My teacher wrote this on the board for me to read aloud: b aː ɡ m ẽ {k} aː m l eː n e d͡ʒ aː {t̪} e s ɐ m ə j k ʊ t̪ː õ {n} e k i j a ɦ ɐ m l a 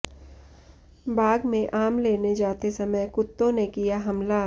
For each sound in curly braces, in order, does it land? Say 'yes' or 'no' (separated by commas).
no, yes, yes